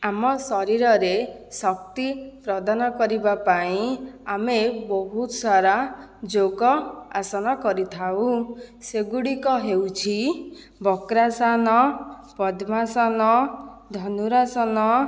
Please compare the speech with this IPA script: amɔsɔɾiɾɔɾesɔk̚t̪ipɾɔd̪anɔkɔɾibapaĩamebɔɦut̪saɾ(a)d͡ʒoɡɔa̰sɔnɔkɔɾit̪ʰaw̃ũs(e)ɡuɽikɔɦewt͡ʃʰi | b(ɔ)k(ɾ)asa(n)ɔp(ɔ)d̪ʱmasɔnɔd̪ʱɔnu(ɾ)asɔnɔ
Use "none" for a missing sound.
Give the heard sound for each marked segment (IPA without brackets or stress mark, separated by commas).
a, e, ɔ, ɾ, n, ɔ, ɾ